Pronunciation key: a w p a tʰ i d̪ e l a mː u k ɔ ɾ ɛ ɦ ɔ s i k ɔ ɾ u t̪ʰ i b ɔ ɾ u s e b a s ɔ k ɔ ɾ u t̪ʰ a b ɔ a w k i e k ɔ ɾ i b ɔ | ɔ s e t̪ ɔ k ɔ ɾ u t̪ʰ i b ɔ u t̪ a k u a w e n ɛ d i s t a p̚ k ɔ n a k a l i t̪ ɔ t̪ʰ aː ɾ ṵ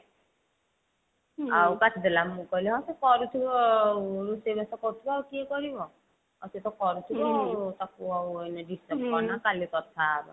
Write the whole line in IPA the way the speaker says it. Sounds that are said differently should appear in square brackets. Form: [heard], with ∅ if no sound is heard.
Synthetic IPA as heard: a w [k] a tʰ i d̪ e l a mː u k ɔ [l] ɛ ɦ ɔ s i k ɔ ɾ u t̪ʰ i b ɔ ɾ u s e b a s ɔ k ɔ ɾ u t̪ʰ [i] b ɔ a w k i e k ɔ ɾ i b ɔ | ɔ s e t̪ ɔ k ɔ ɾ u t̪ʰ i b ɔ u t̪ a k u a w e n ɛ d i s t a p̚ k ɔ n a k a l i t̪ ɔ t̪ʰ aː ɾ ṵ